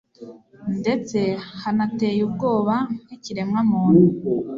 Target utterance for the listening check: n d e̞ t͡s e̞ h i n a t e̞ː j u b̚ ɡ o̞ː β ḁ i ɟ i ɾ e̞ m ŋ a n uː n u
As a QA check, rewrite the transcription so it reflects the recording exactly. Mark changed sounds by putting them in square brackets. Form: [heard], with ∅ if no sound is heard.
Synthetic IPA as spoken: n d e̞ t͡s e̞ h [a] n a t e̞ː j u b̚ ɡ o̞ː β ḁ i [c] i ɾ e̞ m ŋ a [m] uː n u